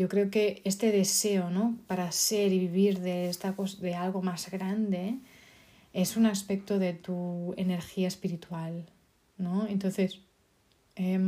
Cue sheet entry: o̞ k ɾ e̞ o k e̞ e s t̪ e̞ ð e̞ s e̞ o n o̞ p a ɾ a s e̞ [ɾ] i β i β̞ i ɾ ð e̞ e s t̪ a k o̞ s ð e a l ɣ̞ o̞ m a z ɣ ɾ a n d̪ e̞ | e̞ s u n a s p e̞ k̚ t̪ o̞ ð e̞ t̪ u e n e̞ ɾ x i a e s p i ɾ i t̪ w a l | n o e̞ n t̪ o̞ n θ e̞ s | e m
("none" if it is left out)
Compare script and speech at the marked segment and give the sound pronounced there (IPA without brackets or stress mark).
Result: ɾ